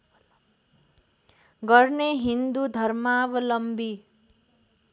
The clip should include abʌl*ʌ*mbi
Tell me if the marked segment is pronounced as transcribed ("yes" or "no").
yes